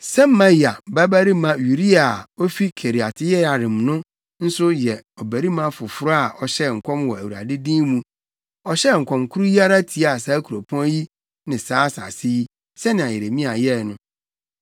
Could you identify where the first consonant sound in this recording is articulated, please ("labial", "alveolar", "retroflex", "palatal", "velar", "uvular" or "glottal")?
alveolar